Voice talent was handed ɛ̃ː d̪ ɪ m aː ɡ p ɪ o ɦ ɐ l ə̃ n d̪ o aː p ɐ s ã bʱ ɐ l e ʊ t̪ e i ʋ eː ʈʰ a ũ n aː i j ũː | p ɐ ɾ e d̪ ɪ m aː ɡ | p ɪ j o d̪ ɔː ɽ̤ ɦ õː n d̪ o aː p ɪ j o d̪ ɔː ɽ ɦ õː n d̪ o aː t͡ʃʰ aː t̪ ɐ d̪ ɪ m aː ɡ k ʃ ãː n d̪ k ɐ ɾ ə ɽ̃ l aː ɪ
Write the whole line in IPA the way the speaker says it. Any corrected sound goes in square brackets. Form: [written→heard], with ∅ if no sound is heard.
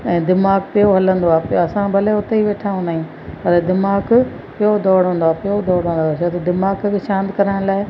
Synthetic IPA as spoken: ɛ̃ː d̪ ɪ m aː ɡ p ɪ o ɦ ɐ l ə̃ n d̪ o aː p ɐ s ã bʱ ɐ l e ʊ t̪ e i ʋ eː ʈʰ a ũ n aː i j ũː | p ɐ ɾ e d̪ ɪ m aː ɡ | p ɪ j o d̪ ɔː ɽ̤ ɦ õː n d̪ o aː p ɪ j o d̪ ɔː ɽ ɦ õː n d̪ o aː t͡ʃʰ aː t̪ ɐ d̪ ɪ m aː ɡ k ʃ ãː n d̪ k ɐ ɾ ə ɽ̃ l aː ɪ